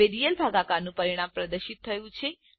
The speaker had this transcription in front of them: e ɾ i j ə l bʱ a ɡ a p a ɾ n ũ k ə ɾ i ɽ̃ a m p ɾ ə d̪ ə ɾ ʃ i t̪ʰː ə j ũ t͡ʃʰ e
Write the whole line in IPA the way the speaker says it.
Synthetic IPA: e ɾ i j ə l bʱ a ɡ a k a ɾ n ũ p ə ɾ i ɽ̃ a m p ɾ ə d̪ ə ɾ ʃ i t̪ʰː ə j ũ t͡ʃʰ e